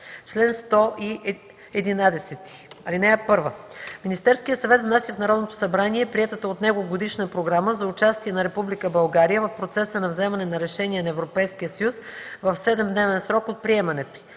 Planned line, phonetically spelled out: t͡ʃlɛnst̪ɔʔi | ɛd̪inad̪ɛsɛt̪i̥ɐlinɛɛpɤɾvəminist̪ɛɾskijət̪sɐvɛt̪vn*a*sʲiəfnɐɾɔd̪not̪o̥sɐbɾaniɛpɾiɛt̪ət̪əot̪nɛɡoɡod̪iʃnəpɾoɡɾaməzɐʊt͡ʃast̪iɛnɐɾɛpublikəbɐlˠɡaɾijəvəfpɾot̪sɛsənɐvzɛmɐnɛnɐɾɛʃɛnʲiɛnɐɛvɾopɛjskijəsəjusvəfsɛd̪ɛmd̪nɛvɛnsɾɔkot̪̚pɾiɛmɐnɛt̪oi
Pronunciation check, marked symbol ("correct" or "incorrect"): correct